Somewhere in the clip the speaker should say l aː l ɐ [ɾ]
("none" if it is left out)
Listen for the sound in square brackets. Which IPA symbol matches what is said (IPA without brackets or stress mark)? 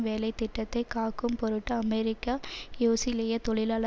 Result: none